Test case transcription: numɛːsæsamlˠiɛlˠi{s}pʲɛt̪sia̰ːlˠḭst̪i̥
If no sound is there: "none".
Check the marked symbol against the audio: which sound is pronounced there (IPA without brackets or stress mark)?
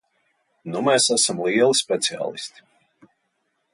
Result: s